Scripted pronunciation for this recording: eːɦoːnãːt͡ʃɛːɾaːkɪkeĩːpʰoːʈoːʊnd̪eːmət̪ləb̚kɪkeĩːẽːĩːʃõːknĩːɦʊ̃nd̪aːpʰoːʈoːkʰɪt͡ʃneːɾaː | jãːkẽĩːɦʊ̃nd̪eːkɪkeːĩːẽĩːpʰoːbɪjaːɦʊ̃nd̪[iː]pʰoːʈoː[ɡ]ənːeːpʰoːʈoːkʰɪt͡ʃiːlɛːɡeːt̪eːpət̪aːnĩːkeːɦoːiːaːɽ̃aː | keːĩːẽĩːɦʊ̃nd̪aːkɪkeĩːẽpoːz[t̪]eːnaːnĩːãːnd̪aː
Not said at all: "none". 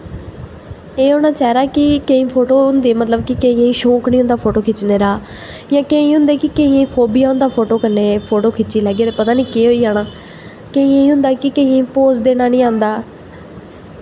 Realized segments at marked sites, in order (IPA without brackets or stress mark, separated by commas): aː, k, d̪